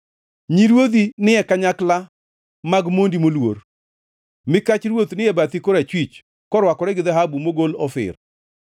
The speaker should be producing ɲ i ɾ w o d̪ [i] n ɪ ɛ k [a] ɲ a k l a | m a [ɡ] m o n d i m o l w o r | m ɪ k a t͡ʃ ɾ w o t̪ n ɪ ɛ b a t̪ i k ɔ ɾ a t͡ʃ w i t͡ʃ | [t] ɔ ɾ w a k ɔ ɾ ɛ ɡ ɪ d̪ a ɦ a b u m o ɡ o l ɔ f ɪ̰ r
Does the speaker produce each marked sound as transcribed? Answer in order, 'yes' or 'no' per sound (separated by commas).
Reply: yes, yes, yes, no